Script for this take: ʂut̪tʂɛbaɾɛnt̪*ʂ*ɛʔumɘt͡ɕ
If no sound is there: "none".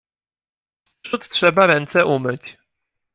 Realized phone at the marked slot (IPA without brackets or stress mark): s